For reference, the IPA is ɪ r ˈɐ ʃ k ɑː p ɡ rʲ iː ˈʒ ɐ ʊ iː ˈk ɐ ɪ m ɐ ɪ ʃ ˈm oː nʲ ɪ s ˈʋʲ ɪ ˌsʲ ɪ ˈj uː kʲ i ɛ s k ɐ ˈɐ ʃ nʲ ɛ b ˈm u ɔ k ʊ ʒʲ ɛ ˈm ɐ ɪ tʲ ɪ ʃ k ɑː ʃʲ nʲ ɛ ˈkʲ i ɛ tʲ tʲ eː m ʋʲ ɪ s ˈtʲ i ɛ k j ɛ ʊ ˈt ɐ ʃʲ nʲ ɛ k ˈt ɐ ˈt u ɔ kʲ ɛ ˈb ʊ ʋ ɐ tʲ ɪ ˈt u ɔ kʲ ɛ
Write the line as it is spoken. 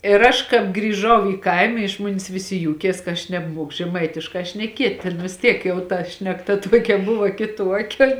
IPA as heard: ɪ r ˈɐ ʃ k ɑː p ɡ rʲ iː ˈʒ ɐ ʊ iː ˈk ɐ ɪ m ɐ ɪ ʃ ˈm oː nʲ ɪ s ˈʋʲ ɪ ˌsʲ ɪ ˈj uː kʲ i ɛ s k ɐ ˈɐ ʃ nʲ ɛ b ˈm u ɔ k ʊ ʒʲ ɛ ˈm ɐ ɪ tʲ ɪ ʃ k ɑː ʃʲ nʲ ɛ ˈkʲ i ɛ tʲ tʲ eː n ʋʲ ɪ s ˈtʲ i ɛ k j ɛ ʊ ˈt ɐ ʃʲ nʲ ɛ k ˈt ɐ ˈt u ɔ kʲ ɛ ˈb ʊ ʋ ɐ kʲ ɪ ˈt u ɔ kʲ ɛ

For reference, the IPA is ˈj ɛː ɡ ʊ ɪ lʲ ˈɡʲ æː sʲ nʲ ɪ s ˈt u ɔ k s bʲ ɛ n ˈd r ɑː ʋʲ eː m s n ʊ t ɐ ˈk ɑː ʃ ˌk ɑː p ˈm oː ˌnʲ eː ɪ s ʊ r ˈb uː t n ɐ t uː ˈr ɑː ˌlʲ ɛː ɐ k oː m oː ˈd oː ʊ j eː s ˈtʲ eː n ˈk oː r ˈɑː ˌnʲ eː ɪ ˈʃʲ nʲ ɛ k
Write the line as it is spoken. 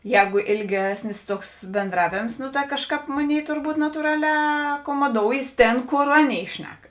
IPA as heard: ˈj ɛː ɡ ʊ ɪ lʲ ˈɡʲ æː sʲ nʲ ɪ s ˈt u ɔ k s bʲ ɛ n ˈd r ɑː ʋʲ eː m s n ʊ t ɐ ˈk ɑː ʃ ˌk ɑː p ˈm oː ˌnʲ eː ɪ t ʊ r ˈb uː t n ɐ t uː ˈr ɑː ˌlʲ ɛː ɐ k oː m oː ˈd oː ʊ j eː s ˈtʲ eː n ˈk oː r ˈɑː ˌnʲ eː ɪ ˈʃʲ nʲ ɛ k

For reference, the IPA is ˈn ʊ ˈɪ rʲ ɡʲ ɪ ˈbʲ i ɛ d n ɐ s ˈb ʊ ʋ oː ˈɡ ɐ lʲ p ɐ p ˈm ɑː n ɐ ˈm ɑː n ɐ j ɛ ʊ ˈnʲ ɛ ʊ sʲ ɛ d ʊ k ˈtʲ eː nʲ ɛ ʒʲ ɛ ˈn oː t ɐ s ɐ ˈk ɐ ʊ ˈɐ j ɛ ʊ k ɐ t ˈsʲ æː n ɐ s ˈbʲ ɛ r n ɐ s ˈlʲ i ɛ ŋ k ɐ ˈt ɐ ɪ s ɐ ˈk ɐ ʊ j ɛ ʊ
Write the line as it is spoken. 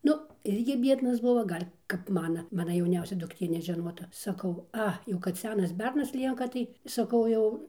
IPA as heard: ˈn ʊ ˈɪ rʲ ɡʲ ɪ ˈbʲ i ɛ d n ɐ s ˈb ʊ ʋ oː ˈɡ ɐ lʲ k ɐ p ˈm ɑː n ɐ ˈm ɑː n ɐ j ɛ ʊ ˈnʲ ɛ ʊ sʲ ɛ d ʊ k ˈtʲ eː nʲ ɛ ʒʲ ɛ ˈn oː t ɐ s ɐ ˈk ɐ ʊ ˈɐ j ɛ ʊ k ɐ t ˈsʲ æː n ɐ s ˈbʲ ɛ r n ɐ s ˈlʲ i ɛ ŋ k ɐ ˈt ɐ ɪ s ɐ ˈk ɐ ʊ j ɛ ʊ

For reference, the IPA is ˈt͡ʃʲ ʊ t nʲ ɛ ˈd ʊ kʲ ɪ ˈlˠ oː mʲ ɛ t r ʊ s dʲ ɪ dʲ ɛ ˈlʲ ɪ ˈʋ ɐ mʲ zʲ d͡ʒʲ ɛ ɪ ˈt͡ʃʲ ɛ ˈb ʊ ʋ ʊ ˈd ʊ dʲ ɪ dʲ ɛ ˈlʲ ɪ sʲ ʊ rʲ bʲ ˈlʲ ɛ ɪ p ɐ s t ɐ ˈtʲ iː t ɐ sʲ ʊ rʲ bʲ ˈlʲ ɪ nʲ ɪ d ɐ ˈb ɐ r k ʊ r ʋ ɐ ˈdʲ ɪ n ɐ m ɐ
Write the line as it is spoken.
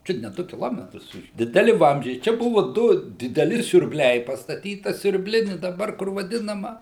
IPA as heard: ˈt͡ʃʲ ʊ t nʲ ɛ ˈd ʊ kʲ ɪ ˈlˠ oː mʲ ɛ t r ʊ s dʲ ɪ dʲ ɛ ˈlʲ ɪ ˈʋ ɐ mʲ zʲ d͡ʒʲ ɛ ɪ ˈt͡ʃʲ ɛ ˈb ʊ ʋ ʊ ˈd ʊ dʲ ɪ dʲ ɛ ˈlʲ ɪ sʲ ʊ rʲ bʲ ˈlʲ ɛ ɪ p ɐ s t ɐ ˈtʲ iː t ɐ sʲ ʊ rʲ bʲ ˈlʲ ɪ nʲ ɪ d ɐ ˈb ɐ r k ʊ r ʋ ɐ ˈdʲ ɪ n ɐ m ɐ

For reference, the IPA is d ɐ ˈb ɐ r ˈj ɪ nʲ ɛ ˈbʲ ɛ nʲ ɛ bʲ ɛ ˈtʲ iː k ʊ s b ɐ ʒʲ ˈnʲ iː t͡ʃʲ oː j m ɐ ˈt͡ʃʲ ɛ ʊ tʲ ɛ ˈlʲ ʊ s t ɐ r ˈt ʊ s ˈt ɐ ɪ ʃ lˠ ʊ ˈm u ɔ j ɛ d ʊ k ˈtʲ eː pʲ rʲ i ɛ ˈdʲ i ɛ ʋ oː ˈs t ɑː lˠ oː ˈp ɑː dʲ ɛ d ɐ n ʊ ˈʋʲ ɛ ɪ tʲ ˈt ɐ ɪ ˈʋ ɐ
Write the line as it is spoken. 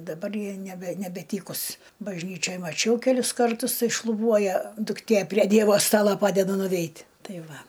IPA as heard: d ɐ ˈb ɐ r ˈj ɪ nʲ ɛ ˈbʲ ɛ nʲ ɛ bʲ ɛ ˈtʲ iː k ʊ s b ɐ ʒʲ ˈnʲ iː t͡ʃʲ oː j m ɐ ˈt͡ʃʲ ɛ ʊ kʲ ɛ ˈlʲ ʊ s k ɐ r ˈt ʊ s ˈt ɐ ɪ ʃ lˠ ʊ ˈb u ɔ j ɛ d ʊ k ˈtʲ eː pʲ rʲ i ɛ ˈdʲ i ɛ ʋ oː ˈs t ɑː lˠ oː ˈp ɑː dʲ ɛ d ɐ n ʊ ˈʋʲ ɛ ɪ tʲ ˈt ɐ ɪ ˈʋ ɐ

